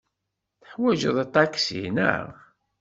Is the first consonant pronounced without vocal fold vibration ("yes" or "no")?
yes